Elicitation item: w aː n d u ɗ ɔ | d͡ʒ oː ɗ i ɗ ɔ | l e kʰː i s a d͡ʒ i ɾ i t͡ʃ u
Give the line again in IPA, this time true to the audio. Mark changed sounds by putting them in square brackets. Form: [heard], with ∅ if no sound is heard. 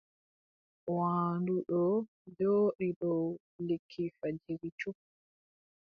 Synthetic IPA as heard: w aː n d u ɗ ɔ | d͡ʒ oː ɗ i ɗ ɔ | l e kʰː i [f] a d͡ʒ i ɾ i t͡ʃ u